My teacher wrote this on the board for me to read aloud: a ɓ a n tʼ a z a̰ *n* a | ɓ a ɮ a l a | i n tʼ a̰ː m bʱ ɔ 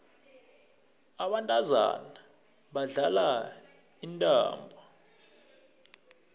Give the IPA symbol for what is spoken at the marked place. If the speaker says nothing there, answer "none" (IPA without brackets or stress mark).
n